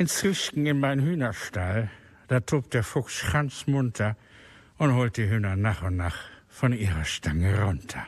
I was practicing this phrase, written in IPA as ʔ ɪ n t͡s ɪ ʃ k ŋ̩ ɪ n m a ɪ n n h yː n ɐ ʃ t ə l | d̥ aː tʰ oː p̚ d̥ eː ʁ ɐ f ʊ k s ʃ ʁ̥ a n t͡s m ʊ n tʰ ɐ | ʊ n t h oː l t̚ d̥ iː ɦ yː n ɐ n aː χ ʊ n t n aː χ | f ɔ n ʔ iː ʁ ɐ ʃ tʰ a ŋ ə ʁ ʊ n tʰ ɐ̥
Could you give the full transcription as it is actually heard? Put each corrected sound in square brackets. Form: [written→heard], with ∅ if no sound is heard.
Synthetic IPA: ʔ ɪ n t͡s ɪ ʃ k ŋ̩ ɪ n m a ɪ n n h yː n ɐ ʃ t [ə→a] l | d̥ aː tʰ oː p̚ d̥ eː [ʁ→∅] ɐ f ʊ k s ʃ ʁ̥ a n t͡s m ʊ n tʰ ɐ | ʊ n t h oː l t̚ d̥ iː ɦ yː n ɐ n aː χ ʊ n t n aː χ | f ɔ n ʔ iː ʁ ɐ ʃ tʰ a ŋ ə ʁ ʊ n tʰ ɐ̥